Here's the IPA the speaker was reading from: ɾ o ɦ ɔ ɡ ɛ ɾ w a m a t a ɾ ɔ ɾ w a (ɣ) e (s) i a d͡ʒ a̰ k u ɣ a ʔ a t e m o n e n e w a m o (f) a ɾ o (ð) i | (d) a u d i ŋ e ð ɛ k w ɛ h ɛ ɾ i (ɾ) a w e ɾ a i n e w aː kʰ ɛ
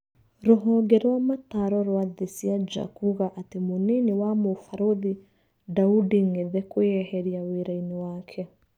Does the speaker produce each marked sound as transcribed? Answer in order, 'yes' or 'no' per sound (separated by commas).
no, yes, yes, yes, yes, no